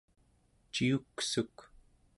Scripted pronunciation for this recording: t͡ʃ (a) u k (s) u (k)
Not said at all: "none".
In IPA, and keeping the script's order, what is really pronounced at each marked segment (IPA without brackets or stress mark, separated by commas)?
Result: i, s, k